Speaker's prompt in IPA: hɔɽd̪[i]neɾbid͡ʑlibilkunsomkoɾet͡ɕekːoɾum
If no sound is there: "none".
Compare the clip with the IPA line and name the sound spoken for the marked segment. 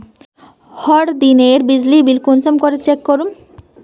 i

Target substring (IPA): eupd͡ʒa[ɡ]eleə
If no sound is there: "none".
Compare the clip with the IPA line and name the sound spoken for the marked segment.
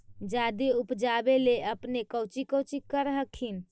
b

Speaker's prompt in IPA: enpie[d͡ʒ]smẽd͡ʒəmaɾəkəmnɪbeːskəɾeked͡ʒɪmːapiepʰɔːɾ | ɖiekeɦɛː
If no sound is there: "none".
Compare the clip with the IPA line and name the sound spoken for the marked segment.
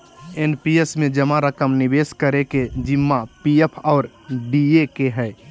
none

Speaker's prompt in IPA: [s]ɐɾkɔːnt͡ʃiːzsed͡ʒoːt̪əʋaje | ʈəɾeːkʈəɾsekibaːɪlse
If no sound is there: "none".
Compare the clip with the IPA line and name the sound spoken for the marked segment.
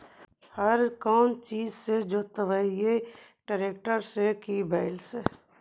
h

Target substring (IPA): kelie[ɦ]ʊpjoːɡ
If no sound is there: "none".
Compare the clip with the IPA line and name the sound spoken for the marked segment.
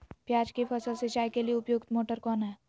none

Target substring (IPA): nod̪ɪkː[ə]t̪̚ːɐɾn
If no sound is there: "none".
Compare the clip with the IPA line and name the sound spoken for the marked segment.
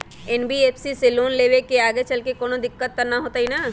ə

